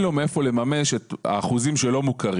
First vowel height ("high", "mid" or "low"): mid